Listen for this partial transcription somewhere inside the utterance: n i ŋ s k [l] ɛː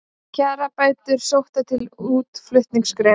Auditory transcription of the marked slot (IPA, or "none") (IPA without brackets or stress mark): ɾ